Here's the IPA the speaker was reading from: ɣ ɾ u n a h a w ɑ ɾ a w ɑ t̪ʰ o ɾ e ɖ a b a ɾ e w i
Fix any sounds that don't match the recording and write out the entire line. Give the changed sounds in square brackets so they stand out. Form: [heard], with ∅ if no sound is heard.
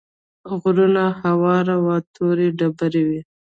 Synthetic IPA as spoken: ɣ ɾ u n a h a w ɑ ɾ a w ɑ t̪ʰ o ɾ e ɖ a b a ɾ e w i